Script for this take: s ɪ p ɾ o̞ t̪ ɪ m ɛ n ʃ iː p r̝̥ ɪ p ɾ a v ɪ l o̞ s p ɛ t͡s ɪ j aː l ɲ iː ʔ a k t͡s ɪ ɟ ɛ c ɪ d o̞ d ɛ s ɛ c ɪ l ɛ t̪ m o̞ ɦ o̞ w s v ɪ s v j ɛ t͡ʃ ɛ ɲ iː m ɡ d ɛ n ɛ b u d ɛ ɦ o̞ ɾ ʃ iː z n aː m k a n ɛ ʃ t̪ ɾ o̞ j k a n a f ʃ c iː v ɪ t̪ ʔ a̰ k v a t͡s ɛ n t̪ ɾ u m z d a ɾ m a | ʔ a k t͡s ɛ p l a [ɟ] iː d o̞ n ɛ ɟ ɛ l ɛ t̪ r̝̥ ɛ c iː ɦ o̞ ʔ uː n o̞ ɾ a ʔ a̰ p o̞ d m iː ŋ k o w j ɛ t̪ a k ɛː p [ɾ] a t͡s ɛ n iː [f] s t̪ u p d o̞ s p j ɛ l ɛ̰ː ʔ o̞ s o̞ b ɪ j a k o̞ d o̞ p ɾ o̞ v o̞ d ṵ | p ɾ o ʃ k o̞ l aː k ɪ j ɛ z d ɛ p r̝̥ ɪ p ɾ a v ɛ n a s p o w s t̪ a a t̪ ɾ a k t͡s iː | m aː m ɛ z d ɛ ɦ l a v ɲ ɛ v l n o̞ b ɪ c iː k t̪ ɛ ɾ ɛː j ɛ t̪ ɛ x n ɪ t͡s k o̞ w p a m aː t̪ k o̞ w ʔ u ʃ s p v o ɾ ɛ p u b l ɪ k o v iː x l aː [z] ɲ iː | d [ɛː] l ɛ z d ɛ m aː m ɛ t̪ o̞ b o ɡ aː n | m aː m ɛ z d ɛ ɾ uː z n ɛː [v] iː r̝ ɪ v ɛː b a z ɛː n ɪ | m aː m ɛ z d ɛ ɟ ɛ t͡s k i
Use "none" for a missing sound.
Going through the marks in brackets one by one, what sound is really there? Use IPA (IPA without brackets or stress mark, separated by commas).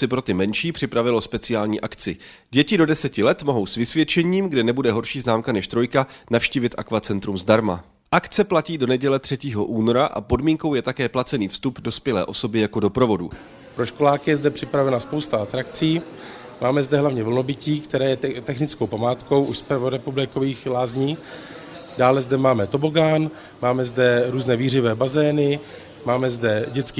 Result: c, l, f, z, aː, v